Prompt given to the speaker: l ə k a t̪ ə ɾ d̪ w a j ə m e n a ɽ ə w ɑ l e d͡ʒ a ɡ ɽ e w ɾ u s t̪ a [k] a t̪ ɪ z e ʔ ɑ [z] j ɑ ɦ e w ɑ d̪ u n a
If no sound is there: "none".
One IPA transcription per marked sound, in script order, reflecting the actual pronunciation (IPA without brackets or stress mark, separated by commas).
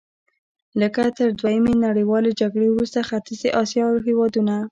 x, s